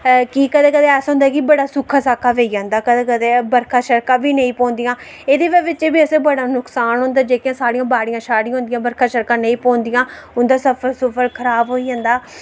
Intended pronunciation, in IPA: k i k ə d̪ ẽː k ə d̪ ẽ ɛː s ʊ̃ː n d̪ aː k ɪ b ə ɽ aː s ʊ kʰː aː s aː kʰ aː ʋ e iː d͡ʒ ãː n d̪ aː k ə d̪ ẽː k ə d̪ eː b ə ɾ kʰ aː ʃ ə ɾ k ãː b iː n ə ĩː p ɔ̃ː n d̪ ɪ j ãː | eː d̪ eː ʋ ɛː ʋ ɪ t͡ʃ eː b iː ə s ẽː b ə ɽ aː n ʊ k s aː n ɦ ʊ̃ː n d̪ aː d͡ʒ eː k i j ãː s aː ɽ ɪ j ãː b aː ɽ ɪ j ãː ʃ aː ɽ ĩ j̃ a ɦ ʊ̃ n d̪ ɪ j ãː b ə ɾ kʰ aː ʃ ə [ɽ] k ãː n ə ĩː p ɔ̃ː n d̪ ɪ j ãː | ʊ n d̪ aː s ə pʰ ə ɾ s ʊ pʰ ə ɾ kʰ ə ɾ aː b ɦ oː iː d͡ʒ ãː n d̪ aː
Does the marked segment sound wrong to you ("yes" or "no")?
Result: yes